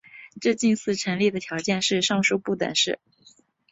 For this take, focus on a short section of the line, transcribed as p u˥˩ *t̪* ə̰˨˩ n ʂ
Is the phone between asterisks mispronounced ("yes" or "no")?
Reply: no